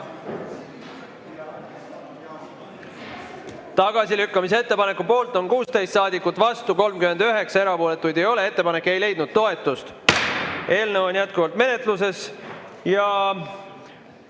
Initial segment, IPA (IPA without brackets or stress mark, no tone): t̪